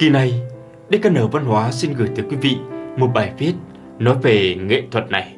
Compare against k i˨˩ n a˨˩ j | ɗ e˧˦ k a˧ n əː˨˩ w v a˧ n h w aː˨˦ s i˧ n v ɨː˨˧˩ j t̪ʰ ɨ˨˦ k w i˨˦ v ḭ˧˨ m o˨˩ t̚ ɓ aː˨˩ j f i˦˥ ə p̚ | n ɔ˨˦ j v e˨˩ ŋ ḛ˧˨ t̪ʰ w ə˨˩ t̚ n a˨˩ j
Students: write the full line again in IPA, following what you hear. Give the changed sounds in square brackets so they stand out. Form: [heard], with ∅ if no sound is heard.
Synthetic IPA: k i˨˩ n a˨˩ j | ɗ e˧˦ k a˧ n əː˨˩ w v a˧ n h w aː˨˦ s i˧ n [ɣ] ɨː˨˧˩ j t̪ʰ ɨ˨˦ k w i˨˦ v ḭ˧˨ m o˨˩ t̚ ɓ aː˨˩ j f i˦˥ ə [t̚] | n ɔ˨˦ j v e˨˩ ŋ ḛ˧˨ t̪ʰ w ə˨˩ t̚ n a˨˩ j